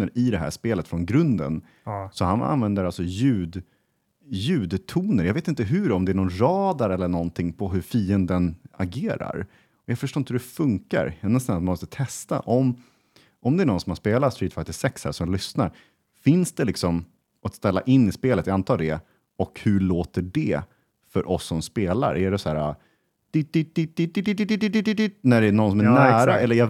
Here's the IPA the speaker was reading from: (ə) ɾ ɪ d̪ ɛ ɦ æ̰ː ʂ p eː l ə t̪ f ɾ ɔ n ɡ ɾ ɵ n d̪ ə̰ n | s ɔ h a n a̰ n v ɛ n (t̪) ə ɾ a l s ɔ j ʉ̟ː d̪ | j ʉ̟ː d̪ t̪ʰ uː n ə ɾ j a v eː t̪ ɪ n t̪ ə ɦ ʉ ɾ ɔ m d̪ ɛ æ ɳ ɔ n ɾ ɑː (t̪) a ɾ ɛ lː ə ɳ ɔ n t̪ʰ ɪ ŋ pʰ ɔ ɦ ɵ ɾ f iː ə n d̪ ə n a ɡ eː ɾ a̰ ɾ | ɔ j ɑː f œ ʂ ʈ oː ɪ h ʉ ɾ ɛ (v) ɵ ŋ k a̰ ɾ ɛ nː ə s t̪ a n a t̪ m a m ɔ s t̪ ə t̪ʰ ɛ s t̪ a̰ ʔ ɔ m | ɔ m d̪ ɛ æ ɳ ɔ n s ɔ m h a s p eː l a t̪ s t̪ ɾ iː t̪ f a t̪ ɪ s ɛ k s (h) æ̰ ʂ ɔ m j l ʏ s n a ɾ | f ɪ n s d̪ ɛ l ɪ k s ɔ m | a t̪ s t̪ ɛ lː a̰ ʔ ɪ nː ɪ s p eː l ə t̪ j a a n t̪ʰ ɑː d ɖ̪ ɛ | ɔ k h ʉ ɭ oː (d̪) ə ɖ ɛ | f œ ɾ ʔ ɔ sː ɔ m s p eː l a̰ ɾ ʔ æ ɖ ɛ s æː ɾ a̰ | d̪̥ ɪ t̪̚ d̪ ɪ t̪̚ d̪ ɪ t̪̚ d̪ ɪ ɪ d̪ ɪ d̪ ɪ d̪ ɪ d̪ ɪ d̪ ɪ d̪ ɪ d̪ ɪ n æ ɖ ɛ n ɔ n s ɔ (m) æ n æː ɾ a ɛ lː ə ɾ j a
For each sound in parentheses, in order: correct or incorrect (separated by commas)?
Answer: correct, incorrect, incorrect, incorrect, correct, incorrect, correct